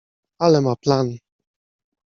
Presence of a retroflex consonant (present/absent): absent